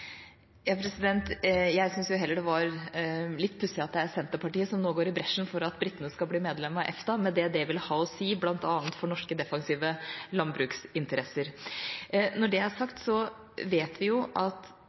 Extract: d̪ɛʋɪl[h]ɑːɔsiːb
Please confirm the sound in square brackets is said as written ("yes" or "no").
yes